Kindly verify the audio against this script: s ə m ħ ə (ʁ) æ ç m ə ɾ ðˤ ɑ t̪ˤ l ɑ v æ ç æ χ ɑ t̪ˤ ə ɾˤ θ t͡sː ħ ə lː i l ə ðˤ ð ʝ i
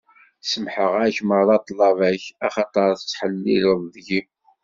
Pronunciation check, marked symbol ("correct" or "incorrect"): correct